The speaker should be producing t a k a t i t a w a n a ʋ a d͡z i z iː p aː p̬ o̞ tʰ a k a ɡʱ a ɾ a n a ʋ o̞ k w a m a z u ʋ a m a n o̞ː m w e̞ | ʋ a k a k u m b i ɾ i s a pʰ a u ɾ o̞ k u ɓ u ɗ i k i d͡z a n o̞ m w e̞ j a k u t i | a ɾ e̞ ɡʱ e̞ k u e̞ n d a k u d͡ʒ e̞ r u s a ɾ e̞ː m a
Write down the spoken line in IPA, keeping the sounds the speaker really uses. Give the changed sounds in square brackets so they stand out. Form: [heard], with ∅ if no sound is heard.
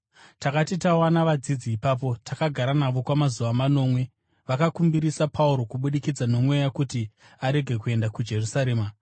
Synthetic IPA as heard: t a k a t i t a w a n a ʋ a d͡z i [d͡z] iː p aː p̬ o̞ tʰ a k a ɡʱ a ɾ a n a ʋ o̞ k w a m a z u ʋ a m a n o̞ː m w e̞ | ʋ a k a k u m b i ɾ i s a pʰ a u ɾ o̞ k u ɓ u ɗ i k i d͡z a n o̞ m w e̞ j a k u t i | a ɾ e̞ ɡʱ e̞ k u e̞ n d a k u d͡ʒ e̞ r u s a ɾ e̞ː m a